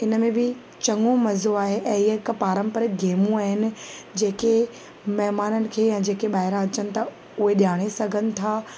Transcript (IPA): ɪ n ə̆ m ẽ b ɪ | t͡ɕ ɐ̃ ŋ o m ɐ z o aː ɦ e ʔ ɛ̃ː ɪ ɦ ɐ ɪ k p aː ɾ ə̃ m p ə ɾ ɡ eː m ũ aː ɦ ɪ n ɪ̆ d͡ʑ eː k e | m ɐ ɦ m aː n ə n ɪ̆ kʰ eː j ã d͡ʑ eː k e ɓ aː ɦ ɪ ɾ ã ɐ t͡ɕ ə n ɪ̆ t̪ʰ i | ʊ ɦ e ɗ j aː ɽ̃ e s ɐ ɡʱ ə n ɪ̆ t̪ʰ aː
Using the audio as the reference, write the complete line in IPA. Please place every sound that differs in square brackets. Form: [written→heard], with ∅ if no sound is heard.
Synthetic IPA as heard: ɪ n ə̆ m ẽ b ɪ | t͡ɕ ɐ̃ ŋ o m ɐ z o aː ɦ e ʔ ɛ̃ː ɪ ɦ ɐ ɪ k p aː ɾ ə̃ m p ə ɾ ɡ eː m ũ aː ɦ ɪ n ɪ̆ d͡ʑ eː k e | m ɐ ɦ m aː n ə n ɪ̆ kʰ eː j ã d͡ʑ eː k e ɓ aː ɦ ɪ ɾ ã ɐ t͡ɕ ə n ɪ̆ t̪ʰ [i→a] | ʊ ɦ e ɗ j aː ɽ̃ e s ɐ ɡʱ ə n ɪ̆ t̪ʰ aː